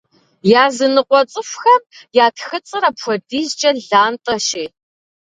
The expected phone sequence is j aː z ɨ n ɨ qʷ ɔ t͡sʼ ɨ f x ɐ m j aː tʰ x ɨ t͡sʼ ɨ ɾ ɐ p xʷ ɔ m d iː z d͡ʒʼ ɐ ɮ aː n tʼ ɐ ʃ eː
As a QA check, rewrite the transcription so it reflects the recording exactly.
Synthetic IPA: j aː z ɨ n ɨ qʷ ɔ t͡sʼ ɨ f x ɐ m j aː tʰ x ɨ t͡sʼ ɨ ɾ ɐ p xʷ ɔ d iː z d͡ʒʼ ɐ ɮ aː n tʼ ɐ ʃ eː